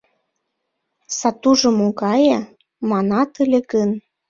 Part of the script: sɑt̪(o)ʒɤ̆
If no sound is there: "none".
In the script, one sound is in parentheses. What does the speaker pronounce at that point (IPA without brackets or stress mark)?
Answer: u